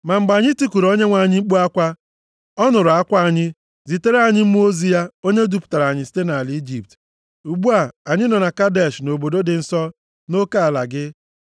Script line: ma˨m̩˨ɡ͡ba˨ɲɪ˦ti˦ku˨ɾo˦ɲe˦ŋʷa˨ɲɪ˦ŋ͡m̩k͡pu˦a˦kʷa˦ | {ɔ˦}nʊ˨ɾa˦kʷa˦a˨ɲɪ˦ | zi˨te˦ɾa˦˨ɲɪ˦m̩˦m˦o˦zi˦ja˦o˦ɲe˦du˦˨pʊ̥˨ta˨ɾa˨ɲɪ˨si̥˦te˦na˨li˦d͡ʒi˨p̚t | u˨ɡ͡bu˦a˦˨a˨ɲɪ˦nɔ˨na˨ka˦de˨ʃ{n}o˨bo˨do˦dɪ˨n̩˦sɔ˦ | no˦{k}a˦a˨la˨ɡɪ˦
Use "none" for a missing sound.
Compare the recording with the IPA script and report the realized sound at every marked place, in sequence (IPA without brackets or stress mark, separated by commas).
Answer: ɔ˦, n, k